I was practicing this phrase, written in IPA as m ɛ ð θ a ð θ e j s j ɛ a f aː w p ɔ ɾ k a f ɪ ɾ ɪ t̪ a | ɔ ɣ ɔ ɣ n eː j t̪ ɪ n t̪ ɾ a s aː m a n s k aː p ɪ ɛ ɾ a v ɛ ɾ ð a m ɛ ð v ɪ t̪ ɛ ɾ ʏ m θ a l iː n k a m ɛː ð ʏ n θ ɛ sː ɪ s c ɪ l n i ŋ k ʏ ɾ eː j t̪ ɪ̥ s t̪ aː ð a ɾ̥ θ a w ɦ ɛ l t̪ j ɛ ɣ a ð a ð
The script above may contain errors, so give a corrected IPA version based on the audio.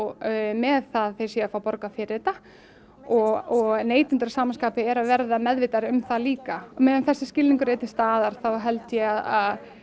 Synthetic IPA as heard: m ɛ ð θ a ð θ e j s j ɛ a f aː w p ɔ ɾ k a f ɪ ɾ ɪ t̪ a | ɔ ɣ ɔ ɣ n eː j t̪ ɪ n t̪ ɾ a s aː m a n s k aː p ɪ ɛ ɾ a v ɛ ɾ ð a m ɛ ð v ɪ t̪ a ɾ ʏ m θ a l iː k a m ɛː ð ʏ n θ ɛ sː ɪ s c ɪ l n i ŋ k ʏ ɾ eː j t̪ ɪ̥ s t̪ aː ð a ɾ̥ θ a w ɦ ɛ l t̪ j ɛ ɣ a ð a ð